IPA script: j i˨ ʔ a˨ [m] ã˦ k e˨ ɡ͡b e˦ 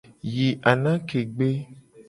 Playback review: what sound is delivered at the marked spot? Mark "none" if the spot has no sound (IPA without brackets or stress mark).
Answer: n